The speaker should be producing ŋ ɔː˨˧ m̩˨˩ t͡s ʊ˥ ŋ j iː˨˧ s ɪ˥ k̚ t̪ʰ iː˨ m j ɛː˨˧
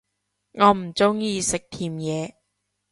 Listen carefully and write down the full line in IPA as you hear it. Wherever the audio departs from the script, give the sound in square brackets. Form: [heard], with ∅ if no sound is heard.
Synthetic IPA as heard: ŋ ɔː˨˧ m̩˨˩ t͡s ʊ˥ ŋ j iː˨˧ s [ɪ˨] k̚ t̪ʰ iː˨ m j ɛː˨˧